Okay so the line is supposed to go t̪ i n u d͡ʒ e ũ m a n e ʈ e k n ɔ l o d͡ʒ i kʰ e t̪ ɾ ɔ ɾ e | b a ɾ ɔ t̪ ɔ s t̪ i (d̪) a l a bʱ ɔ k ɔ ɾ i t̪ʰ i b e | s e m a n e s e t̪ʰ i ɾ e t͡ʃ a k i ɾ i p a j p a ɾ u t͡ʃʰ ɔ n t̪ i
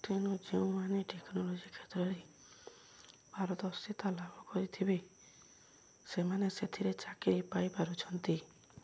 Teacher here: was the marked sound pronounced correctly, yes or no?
no